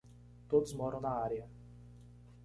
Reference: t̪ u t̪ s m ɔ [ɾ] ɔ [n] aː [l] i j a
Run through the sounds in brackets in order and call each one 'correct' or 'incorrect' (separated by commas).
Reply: correct, correct, incorrect